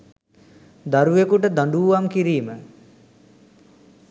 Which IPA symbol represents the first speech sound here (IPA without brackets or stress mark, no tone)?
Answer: d̪